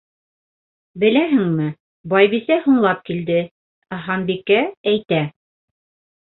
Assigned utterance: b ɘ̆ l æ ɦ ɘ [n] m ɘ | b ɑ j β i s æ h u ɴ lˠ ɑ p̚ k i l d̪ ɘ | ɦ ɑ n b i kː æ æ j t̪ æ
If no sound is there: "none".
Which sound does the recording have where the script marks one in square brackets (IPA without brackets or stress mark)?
ŋ